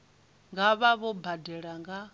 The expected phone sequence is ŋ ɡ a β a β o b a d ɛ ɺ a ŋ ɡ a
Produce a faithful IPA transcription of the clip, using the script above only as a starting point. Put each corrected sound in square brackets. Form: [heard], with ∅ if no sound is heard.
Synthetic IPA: ŋ ɡ a β a β [ɔ] b a d ɛ ɺ a ŋ ɡ a